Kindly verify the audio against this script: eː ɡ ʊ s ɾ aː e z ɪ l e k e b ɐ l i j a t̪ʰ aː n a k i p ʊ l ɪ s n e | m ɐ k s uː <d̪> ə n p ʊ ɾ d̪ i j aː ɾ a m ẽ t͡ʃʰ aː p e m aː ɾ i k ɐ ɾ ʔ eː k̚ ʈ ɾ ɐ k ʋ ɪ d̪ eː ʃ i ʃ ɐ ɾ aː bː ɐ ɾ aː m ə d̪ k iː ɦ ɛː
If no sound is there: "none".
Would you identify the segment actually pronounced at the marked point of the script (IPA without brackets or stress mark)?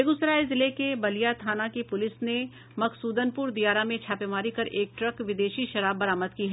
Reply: d̪